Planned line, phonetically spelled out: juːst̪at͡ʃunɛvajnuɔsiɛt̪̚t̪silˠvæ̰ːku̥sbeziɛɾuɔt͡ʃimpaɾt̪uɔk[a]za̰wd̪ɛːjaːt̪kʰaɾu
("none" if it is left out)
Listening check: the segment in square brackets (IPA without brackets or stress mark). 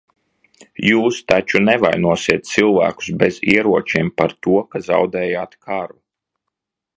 a